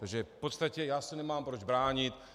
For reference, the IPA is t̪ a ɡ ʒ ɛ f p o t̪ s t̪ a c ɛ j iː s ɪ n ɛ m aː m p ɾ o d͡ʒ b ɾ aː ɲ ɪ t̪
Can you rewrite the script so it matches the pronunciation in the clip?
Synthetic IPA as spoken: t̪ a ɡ ʒ ɛ f p o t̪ s t̪ a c ɛ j aː s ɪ n ɛ m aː m p ɾ o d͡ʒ b ɾ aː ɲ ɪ t̪